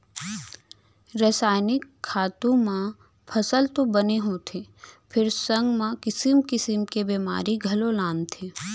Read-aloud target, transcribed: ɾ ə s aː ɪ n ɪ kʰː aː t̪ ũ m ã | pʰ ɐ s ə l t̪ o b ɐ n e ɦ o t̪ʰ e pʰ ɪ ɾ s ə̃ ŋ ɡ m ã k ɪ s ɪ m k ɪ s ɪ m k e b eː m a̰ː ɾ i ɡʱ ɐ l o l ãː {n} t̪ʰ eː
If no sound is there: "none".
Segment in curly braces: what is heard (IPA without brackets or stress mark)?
n